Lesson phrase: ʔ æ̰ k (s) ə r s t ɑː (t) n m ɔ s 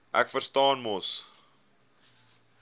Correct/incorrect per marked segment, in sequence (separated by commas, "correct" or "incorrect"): incorrect, incorrect